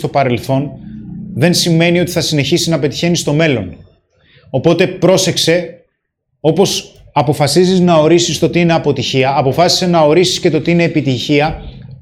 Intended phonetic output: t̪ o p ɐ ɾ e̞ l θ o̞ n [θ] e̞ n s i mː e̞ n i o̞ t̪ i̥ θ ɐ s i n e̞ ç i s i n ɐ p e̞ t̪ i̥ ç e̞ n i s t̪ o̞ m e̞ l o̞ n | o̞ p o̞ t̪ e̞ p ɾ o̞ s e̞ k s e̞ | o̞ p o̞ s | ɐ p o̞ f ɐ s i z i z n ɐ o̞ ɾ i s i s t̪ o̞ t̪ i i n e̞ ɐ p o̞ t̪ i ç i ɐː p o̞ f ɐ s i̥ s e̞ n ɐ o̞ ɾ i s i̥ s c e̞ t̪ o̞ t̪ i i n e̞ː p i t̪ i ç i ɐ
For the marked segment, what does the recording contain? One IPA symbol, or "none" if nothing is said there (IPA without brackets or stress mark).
ð